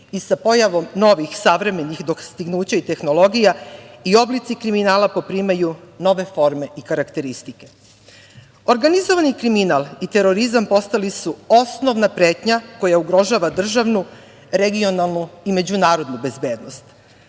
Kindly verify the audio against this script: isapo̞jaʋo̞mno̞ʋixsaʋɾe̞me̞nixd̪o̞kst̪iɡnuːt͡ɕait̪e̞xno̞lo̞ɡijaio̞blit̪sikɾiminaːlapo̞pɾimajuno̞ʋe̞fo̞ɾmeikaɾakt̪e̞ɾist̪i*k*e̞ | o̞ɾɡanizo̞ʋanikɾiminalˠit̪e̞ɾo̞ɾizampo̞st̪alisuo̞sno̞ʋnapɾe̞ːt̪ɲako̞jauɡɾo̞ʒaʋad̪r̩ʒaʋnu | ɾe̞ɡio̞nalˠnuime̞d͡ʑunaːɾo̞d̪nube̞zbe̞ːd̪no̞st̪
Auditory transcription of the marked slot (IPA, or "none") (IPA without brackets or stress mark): k